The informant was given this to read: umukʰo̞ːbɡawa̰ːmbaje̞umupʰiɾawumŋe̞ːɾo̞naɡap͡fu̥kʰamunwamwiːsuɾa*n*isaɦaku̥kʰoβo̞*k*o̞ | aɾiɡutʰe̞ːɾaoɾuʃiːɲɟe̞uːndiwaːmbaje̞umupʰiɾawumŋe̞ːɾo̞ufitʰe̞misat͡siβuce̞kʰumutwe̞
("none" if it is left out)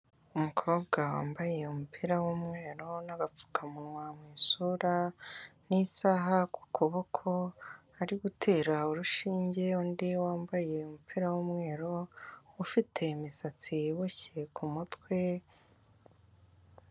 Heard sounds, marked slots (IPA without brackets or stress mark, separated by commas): n, kʰ